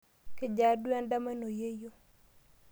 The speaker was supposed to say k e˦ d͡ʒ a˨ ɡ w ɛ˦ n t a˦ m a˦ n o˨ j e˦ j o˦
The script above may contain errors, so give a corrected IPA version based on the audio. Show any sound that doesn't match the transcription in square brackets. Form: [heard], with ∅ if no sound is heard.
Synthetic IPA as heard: k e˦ d͡ʒ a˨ [d] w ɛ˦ n [d] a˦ m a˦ n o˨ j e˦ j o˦